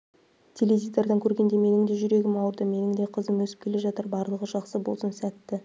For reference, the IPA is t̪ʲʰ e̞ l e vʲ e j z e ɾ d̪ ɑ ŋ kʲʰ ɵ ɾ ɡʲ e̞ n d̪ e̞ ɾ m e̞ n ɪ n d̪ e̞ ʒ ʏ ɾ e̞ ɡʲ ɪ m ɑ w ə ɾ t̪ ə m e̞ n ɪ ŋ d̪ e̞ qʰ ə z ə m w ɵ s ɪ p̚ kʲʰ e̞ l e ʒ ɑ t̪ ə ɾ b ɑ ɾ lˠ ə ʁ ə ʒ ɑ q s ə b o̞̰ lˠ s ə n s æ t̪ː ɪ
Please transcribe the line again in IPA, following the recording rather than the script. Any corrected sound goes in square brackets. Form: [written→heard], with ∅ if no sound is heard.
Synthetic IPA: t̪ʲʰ e̞ l e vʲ [e→i] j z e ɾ d̪ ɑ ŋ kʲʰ ɵ ɾ ɡʲ e̞ n d̪ e̞ [ɾ→∅] m e̞ n ɪ [n→ŋ] d̪ e̞ ʒ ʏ ɾ e̞ ɡʲ ɪ m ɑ w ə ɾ [t̪→d̪] ə m e̞ n ɪ ŋ d̪ e̞ qʰ ə z ə m w ɵ s ɪ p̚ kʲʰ e̞ l e ʒ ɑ t̪ ə ɾ b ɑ ɾ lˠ ə ʁ ə ʒ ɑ q s ə b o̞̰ lˠ s ə n s æ t̪ː ɪ